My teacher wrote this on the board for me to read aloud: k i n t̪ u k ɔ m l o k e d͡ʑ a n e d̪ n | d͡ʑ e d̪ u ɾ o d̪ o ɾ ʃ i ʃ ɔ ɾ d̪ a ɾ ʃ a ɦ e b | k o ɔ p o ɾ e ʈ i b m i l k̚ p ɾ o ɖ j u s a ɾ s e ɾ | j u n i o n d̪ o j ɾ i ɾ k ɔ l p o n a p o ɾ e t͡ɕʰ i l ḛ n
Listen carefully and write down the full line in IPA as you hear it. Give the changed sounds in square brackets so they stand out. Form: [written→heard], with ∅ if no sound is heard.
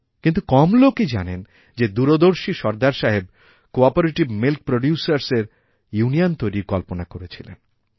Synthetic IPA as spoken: k i n t̪ u k ɔ m l o k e d͡ʑ a n e [d̪→∅] n | d͡ʑ e d̪ u ɾ o d̪ o ɾ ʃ i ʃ ɔ ɾ d̪ a ɾ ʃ a ɦ e b | k o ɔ p o ɾ e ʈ i b m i l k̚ p ɾ o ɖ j u s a ɾ s e ɾ | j u n i o n [d̪→t̪] o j ɾ i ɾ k ɔ l p o n a [p→k] o ɾ e t͡ɕʰ i l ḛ n